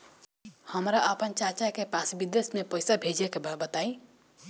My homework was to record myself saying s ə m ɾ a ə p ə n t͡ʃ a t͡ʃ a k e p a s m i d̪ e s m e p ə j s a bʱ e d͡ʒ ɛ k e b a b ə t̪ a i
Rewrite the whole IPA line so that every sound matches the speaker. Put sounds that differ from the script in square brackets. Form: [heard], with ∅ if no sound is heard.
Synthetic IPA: [h] ə m ɾ a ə p ə n t͡ʃ a t͡ʃ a k e p a s [b] i d̪ e s m e p ə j s a bʱ e d͡ʒ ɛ k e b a b ə t̪ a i